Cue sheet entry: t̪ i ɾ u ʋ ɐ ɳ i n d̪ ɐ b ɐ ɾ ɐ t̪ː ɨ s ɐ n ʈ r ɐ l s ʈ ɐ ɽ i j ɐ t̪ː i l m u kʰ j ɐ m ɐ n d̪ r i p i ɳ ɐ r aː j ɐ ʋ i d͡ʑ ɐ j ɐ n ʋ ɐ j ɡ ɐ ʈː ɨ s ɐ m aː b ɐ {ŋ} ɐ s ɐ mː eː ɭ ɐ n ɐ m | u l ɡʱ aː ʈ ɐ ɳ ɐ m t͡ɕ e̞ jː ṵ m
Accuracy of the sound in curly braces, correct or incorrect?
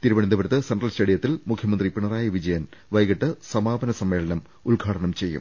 incorrect